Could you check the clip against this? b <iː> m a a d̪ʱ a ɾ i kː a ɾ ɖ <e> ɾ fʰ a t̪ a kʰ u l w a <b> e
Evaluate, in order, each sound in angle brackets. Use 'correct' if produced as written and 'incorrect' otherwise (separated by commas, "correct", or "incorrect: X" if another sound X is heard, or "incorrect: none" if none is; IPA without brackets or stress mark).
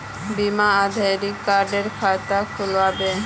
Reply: incorrect: i, correct, correct